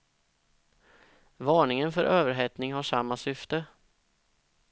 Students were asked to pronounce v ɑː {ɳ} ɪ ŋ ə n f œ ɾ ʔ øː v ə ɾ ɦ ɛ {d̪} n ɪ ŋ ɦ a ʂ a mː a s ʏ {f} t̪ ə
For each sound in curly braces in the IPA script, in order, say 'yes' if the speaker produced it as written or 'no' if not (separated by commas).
yes, no, yes